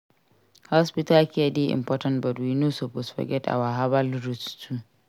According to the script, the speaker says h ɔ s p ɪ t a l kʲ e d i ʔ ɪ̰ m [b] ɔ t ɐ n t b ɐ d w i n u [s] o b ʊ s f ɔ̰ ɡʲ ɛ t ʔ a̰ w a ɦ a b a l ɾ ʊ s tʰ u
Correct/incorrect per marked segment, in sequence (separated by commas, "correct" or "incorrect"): incorrect, correct